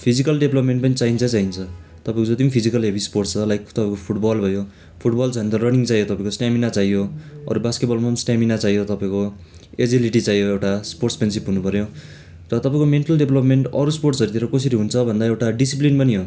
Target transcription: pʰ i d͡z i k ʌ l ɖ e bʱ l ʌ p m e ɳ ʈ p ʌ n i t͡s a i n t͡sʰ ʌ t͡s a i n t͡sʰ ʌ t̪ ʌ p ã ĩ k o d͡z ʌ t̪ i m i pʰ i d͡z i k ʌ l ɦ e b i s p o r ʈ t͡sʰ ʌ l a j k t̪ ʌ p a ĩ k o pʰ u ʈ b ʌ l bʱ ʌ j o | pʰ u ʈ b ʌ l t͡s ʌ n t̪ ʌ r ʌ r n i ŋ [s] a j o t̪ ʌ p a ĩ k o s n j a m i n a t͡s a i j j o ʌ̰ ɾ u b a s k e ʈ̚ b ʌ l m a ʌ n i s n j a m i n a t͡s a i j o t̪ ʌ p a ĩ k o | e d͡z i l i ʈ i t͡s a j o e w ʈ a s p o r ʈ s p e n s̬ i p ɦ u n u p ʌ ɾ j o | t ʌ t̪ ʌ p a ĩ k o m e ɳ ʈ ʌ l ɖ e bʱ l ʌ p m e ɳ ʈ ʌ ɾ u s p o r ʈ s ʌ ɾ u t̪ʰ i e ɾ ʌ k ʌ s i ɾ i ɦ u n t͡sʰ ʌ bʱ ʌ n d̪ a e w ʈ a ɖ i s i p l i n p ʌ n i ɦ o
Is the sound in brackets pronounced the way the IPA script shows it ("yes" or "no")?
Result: no